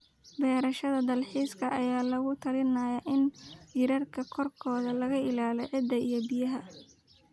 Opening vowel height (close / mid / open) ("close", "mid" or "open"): mid